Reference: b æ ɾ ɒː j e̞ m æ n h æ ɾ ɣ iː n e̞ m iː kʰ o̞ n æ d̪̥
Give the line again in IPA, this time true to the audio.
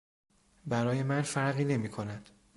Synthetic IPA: b æ ɾ ɒː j e̞ m æ n f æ ɾ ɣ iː n e̞ m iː kʰ o̞ n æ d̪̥